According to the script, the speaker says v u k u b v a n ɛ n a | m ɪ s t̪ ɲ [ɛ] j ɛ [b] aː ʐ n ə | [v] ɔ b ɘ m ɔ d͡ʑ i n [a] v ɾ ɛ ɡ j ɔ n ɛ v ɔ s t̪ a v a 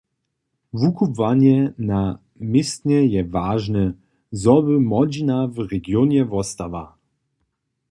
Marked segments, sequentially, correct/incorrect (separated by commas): correct, incorrect, incorrect, correct